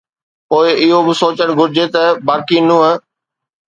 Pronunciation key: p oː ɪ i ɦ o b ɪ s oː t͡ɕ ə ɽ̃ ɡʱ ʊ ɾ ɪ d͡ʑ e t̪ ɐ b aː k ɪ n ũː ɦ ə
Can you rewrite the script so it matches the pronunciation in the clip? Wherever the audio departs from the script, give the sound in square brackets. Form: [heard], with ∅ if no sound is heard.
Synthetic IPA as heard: p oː ɪ [ɪ] ɦ o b ɪ s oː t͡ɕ ə ɽ̃ ɡʱ ʊ ɾ ɪ d͡ʑ e t̪ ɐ b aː k [i] n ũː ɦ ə